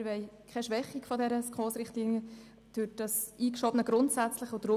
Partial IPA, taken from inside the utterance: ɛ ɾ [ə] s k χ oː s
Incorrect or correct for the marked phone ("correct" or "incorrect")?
correct